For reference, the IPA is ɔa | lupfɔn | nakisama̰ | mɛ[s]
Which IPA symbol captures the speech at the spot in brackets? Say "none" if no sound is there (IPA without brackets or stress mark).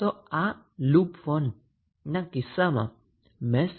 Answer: s